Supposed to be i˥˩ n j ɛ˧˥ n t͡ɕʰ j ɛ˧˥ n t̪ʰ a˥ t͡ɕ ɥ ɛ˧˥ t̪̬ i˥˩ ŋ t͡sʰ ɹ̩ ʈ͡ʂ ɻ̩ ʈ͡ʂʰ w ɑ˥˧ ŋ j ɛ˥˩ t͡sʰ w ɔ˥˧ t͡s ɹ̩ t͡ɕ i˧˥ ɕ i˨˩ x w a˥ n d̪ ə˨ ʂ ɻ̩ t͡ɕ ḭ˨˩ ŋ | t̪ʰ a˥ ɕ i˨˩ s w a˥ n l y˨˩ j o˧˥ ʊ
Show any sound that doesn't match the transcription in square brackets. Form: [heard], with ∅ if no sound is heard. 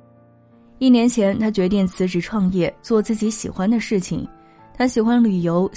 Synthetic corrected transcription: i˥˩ n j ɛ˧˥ n t͡ɕʰ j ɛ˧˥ n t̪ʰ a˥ t͡ɕ ɥ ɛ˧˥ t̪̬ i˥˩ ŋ t͡sʰ ɹ̩ ʈ͡ʂ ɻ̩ ʈ͡ʂʰ w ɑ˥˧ ŋ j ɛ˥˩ [t͡s] w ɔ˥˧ t͡s ɹ̩ t͡ɕ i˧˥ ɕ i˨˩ x w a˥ n d̪ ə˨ ʂ ɻ̩ [t͡ɕʰ] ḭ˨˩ ŋ | t̪ʰ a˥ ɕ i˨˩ [x] w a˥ n l y˨˩ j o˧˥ ʊ